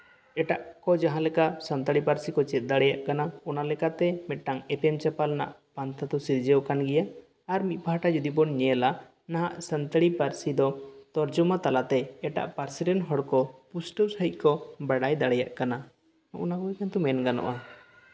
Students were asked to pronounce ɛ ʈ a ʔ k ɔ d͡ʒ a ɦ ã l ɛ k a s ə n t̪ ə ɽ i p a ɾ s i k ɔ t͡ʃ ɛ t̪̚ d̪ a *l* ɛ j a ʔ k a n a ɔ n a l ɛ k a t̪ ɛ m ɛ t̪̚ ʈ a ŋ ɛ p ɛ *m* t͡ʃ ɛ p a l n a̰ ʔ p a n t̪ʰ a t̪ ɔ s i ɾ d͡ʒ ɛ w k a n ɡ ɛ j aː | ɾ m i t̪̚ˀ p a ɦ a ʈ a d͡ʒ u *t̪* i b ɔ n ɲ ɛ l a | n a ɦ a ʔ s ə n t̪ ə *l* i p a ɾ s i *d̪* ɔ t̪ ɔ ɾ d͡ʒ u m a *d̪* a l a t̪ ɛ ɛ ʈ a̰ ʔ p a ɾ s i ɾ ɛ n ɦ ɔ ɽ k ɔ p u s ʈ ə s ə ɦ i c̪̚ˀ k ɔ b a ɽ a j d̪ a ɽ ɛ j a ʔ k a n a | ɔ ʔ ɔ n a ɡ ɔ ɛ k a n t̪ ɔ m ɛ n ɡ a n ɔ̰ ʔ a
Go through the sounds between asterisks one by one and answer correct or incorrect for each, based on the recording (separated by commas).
incorrect, correct, incorrect, incorrect, correct, incorrect